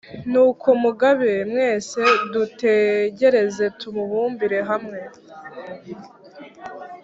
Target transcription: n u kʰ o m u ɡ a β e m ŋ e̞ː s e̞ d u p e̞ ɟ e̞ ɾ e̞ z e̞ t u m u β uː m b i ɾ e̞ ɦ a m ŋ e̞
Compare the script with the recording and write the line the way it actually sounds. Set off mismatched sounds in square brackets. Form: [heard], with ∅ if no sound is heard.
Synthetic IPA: n u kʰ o m u ɡ a β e m ŋ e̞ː s e̞ d u [t] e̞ ɟ e̞ ɾ e̞ z e̞ t u m u β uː m b i ɾ e̞ ɦ a m ŋ e̞